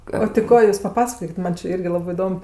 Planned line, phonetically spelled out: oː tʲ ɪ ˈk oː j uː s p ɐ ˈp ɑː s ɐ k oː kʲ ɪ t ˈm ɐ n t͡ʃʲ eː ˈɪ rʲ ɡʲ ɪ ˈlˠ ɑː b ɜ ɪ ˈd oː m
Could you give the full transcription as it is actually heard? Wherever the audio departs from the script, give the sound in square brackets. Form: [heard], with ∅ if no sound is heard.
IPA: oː tʲ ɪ ˈk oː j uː s p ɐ ˈp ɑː s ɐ k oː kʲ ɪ t ˈm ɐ n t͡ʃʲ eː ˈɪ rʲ ɡʲ ɪ ˈlˠ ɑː b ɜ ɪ ˈd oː m